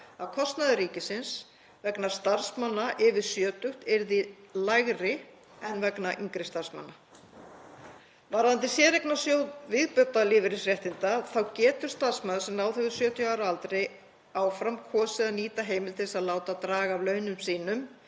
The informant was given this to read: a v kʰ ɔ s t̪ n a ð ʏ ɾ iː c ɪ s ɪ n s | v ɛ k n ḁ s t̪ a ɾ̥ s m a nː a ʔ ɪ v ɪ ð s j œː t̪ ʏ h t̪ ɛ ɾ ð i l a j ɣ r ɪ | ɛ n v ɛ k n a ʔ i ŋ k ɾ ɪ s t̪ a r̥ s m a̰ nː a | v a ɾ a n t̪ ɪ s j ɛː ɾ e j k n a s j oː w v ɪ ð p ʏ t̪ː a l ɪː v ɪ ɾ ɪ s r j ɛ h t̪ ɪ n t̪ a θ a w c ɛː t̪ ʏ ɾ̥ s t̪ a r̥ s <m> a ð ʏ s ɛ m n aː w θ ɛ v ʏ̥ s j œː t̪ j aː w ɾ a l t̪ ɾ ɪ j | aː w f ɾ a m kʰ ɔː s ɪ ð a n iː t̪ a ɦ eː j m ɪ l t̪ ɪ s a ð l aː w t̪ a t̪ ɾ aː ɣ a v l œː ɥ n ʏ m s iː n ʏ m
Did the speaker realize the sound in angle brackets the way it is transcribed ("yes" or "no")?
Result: yes